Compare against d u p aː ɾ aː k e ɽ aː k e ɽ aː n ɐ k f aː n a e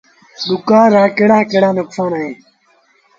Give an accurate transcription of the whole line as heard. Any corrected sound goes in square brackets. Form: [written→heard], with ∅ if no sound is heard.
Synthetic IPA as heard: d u [p→k] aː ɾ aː k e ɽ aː k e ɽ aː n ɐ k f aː n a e